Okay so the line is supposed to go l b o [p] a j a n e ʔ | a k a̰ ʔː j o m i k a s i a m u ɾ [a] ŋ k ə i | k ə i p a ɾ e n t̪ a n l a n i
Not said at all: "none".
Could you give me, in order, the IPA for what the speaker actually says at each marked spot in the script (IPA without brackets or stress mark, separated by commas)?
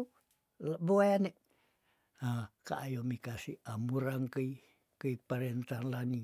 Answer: none, a